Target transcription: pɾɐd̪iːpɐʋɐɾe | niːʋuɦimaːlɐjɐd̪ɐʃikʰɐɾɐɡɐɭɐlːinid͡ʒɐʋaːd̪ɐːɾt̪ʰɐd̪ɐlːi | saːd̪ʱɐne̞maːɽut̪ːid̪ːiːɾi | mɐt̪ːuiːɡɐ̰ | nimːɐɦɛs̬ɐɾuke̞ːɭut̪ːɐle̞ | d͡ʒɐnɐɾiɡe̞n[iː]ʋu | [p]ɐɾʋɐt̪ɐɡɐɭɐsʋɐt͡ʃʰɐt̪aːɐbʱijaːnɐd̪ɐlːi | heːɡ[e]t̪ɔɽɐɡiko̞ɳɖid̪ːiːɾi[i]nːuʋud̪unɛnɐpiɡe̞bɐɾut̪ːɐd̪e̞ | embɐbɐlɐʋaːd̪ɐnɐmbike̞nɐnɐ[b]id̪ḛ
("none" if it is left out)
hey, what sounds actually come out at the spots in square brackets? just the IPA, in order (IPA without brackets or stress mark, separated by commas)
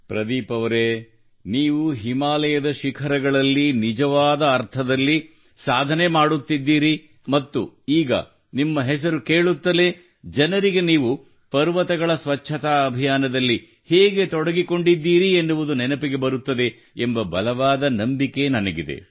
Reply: iː, p, e, e, ɡ